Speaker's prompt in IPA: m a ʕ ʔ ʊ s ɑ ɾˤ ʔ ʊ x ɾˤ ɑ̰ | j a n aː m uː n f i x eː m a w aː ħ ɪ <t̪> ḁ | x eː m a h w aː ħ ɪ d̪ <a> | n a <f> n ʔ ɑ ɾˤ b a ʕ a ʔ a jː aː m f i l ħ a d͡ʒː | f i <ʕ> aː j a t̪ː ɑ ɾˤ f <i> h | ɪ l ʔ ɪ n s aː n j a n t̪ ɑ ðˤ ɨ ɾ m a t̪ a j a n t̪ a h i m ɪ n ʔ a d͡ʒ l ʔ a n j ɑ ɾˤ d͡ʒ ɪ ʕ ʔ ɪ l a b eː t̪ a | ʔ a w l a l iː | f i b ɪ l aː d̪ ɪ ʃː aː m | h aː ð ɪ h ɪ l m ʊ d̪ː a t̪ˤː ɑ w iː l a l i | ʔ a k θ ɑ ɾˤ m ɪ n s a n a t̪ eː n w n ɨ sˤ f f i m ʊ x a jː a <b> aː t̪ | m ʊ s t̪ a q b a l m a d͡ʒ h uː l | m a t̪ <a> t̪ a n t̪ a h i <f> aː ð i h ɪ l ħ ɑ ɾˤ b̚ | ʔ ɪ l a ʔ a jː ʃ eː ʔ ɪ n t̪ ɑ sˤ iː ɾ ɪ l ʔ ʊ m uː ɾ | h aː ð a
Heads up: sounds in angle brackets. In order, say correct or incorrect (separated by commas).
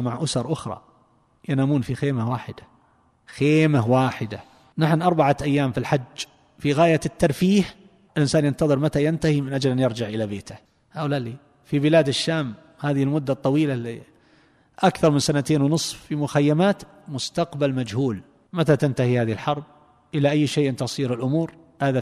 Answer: incorrect, correct, incorrect, incorrect, incorrect, incorrect, correct, incorrect